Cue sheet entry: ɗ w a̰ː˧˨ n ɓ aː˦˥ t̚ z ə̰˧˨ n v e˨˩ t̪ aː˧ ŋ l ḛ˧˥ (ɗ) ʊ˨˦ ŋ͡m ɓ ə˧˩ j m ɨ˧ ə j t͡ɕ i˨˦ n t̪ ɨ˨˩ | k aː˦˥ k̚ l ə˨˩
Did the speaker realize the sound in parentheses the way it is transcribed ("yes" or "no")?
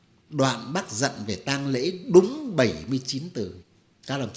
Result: yes